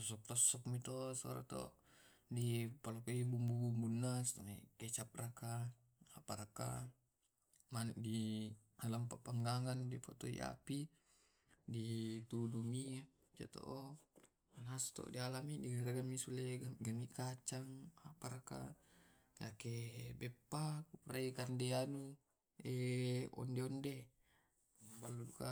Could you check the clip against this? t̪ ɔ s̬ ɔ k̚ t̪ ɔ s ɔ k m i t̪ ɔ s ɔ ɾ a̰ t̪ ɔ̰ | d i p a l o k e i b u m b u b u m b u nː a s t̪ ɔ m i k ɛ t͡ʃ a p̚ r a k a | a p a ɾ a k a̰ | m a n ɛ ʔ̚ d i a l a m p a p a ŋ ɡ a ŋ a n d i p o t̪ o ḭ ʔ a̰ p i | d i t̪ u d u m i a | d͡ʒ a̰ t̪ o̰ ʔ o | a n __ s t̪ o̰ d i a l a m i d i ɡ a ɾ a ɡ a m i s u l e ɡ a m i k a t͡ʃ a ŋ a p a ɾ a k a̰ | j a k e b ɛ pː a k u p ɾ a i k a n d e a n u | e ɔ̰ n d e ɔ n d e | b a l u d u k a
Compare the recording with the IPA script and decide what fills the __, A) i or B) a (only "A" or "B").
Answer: B